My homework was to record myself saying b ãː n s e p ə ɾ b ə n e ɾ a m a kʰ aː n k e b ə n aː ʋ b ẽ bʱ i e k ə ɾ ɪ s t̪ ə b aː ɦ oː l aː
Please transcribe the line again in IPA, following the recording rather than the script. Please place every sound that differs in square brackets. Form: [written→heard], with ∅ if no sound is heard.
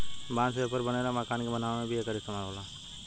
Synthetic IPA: b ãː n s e p ə ɾ b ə n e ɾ a m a [kʰ→k] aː n k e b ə n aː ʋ [b→m] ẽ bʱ i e k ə ɾ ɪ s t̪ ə [b→m] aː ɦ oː l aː